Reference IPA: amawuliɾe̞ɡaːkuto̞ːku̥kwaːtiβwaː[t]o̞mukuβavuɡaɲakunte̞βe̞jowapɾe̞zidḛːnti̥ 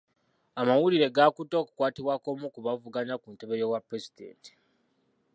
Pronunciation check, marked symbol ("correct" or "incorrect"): incorrect